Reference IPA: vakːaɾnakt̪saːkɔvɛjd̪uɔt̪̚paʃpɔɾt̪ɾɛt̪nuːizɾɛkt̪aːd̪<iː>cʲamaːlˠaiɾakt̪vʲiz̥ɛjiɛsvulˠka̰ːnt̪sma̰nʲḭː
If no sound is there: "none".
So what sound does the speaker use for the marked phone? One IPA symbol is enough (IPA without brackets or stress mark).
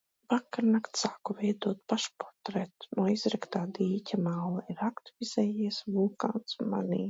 iː